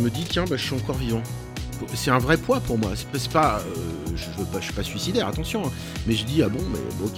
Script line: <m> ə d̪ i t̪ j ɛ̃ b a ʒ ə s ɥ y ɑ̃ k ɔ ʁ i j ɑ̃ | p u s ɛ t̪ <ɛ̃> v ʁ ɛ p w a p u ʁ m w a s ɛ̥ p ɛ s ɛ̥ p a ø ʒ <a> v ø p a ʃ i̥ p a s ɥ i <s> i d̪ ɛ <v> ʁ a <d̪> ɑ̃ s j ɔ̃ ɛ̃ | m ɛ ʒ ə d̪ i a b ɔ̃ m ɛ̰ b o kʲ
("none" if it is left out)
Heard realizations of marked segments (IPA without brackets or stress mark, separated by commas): m, ɛ̃, ə, s, none, t̪